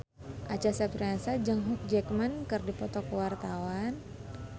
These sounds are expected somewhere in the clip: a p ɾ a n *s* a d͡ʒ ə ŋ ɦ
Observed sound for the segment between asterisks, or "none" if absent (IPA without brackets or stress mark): s